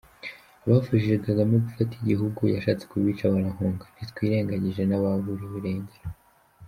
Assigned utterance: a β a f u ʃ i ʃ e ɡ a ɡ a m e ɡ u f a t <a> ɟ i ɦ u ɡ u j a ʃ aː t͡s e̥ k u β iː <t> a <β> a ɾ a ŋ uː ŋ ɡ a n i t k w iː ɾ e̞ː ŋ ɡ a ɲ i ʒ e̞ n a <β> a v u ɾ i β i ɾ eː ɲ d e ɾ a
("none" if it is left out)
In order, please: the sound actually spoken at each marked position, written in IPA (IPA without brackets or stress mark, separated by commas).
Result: i, t͡ʃ, β, β